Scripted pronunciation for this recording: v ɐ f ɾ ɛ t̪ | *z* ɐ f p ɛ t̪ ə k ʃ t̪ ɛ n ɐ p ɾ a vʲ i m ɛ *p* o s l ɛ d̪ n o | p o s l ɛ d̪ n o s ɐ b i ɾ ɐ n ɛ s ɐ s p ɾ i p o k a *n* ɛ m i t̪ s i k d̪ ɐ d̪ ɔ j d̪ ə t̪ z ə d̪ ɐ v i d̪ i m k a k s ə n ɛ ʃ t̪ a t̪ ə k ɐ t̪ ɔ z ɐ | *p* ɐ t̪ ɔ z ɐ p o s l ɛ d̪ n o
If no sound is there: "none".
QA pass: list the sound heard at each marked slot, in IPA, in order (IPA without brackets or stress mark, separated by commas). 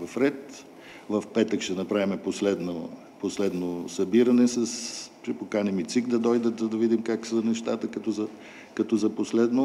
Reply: v, p, n, k